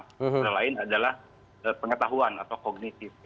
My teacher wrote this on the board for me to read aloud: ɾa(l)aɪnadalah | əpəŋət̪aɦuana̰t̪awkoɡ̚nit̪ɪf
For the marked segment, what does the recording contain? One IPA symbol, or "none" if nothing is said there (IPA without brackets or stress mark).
l